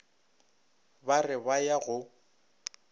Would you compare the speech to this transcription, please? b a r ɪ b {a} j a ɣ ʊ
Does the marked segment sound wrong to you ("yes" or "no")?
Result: no